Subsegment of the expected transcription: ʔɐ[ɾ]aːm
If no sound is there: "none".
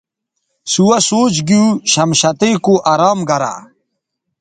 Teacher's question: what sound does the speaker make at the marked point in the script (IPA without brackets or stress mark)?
ɾ